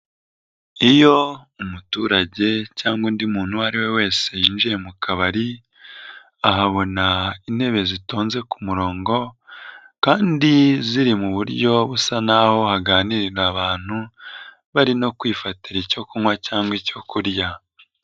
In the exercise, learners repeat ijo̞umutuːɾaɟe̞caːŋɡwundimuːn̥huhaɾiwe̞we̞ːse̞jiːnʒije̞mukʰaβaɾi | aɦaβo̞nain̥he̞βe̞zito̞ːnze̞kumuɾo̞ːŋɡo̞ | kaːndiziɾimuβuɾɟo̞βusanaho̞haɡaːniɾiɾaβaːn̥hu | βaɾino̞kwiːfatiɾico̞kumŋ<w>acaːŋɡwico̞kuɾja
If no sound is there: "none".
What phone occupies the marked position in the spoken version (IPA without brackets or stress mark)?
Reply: w